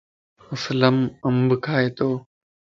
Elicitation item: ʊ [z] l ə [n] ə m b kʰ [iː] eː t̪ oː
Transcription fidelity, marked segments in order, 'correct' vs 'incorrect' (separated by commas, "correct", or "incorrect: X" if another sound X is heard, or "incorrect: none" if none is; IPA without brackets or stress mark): incorrect: s, incorrect: m, incorrect: aː